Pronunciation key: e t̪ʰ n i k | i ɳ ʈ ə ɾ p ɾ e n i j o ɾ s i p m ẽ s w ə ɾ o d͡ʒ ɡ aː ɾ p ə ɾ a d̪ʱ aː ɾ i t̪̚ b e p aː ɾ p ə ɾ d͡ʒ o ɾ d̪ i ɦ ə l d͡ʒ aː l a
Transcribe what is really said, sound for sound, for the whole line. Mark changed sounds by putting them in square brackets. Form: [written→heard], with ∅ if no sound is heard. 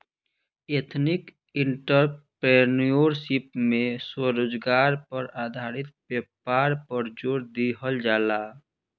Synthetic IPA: e t̪ʰ n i k | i ɳ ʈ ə ɾ p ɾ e n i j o ɾ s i p m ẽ s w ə ɾ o d͡ʒ ɡ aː ɾ p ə ɾ a d̪ʱ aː ɾ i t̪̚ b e p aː ɾ p ə ɾ d͡ʒ o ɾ d̪ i ɦ ə l d͡ʒ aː l a